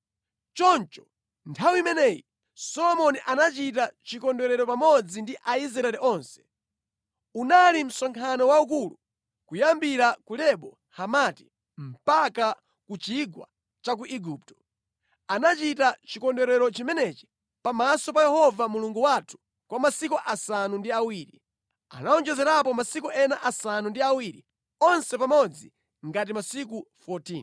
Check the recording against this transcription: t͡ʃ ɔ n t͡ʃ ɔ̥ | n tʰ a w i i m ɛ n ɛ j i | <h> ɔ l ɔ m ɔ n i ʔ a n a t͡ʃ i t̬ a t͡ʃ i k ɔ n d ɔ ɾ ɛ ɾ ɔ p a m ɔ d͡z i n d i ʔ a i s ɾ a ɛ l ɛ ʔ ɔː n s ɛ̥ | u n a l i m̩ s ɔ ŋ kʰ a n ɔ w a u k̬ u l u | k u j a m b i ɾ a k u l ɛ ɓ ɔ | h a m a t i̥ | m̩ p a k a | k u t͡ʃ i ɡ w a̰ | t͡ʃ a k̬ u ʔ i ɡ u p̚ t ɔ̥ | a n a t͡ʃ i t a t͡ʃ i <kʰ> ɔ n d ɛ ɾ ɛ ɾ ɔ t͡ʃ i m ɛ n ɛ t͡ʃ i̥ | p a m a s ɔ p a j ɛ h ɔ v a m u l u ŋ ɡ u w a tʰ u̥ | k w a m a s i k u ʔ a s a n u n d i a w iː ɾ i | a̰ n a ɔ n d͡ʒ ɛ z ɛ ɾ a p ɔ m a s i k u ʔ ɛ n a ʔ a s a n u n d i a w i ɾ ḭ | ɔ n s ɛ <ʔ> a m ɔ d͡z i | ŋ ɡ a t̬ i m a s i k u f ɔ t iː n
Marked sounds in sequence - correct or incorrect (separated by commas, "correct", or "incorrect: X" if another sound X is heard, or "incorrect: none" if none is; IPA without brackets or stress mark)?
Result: incorrect: s, incorrect: k, incorrect: p